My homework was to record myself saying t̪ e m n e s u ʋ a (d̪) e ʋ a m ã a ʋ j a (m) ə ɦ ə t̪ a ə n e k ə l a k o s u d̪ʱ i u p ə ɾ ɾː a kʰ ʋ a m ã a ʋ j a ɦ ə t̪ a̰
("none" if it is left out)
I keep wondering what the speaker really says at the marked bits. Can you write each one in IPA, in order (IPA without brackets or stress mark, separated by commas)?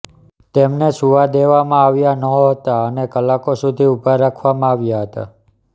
d̪, n